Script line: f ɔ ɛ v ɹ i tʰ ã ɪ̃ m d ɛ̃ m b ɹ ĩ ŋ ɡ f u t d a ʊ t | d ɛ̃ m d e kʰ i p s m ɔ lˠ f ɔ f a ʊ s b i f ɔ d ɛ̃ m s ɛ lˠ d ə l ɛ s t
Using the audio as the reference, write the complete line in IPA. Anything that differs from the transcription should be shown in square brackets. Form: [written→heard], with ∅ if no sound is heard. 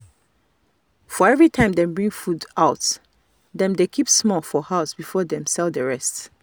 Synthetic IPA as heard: f ɔ ɛ v ɹ i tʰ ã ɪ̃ m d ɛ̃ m b ɹ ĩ ŋ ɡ f u [t→∅] d a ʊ t | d ɛ̃ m d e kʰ i p s m ɔ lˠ f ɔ [f→h] a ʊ s b i f ɔ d ɛ̃ m s ɛ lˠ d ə [l→ɹ] ɛ s t